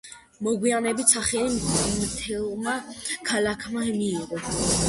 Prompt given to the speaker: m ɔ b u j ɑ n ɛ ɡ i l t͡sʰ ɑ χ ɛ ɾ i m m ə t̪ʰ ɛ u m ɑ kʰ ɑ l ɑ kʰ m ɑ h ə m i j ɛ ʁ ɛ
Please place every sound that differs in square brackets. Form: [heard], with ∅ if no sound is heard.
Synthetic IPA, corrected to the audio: m ɔ [ɡ] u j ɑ n ɛ [b] i [∅] t͡sʰ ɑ χ ɛ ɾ i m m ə t̪ʰ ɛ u m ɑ kʰ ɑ l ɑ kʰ m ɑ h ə m i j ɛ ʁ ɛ